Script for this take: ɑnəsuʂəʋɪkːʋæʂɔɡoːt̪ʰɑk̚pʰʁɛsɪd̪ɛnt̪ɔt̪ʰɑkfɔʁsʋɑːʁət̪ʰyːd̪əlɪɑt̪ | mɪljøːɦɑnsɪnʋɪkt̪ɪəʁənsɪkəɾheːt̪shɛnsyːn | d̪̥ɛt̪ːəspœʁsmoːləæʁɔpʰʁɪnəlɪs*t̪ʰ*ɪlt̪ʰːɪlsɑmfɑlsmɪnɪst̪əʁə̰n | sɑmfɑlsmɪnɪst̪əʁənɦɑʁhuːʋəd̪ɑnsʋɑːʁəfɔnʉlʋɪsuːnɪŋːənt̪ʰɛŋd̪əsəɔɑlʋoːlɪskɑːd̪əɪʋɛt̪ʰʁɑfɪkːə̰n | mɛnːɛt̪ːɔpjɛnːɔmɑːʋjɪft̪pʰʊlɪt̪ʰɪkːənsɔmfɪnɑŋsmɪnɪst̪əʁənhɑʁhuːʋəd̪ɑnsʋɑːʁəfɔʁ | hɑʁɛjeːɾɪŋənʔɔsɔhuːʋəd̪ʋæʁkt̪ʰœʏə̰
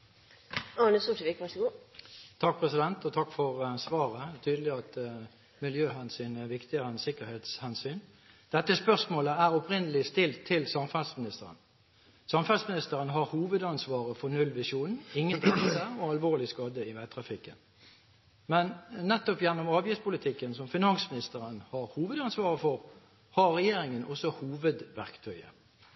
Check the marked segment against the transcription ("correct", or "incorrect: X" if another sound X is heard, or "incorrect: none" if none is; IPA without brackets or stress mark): incorrect: t̪